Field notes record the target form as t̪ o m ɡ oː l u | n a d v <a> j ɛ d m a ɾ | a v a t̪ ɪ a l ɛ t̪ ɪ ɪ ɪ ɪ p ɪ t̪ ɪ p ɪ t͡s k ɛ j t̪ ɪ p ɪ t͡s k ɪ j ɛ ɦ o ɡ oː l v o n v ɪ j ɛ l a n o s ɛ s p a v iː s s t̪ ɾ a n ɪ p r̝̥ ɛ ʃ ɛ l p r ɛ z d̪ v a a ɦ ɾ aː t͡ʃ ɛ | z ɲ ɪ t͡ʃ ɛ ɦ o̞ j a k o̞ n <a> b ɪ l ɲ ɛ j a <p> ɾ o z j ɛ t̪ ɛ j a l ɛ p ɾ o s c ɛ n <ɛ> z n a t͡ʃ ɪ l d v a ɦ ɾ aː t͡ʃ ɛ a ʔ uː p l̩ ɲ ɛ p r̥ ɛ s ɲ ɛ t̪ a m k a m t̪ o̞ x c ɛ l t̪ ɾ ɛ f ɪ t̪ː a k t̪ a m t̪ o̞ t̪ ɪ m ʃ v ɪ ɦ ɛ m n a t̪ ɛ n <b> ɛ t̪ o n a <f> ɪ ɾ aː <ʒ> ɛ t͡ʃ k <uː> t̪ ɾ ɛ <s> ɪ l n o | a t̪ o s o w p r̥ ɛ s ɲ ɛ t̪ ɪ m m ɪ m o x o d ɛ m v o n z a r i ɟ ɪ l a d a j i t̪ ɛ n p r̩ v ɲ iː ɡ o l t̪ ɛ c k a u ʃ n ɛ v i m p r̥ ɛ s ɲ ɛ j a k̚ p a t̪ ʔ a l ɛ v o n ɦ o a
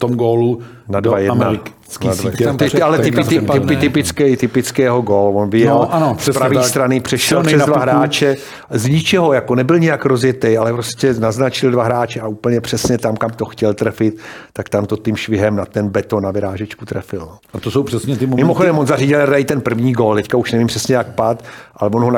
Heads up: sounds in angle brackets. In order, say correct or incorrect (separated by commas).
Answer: correct, incorrect, incorrect, incorrect, correct, incorrect, correct, incorrect, incorrect